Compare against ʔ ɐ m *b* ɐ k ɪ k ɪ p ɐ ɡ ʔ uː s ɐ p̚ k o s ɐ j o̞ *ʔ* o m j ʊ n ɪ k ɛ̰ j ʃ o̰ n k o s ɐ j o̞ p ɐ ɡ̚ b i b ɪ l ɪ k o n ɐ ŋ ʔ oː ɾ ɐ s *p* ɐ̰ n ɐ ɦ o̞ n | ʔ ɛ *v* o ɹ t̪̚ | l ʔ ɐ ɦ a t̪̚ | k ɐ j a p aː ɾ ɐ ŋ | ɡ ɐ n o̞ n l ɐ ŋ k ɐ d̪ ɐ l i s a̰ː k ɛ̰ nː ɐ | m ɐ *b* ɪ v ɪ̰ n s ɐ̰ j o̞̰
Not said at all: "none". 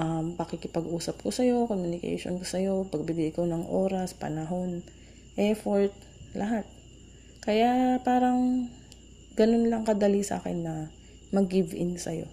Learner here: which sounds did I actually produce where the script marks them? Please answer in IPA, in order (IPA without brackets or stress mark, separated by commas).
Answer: p, k, p, f, ɡ